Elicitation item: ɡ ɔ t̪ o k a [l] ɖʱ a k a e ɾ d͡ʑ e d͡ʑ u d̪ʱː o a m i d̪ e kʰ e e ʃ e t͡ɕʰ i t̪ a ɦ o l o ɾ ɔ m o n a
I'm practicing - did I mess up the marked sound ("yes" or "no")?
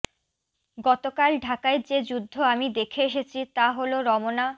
no